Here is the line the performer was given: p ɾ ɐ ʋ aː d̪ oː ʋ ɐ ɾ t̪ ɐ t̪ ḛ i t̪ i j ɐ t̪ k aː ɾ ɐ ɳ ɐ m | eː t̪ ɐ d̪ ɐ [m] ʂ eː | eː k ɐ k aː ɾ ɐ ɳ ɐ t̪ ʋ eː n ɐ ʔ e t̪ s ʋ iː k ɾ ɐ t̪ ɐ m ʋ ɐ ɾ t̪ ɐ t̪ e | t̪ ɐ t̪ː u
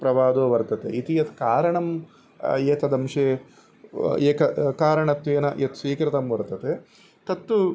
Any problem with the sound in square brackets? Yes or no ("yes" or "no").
no